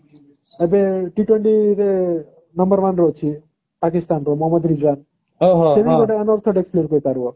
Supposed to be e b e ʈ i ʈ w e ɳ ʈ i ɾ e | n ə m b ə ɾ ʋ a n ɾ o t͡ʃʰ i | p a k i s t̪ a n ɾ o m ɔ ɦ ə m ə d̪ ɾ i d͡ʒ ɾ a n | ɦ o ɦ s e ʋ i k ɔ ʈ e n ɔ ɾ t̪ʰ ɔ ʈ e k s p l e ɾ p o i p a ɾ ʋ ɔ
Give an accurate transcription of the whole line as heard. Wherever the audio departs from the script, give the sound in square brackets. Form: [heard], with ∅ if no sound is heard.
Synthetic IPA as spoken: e b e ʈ i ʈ w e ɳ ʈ i ɾ e | n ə m b ə ɾ ʋ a n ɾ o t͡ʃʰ i | p a k i s t̪ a n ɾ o m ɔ ɦ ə m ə d̪ ɾ i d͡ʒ ɾ a n | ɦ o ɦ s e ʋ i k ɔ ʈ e n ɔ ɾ t̪ʰ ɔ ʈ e k s p l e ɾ [k] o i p a ɾ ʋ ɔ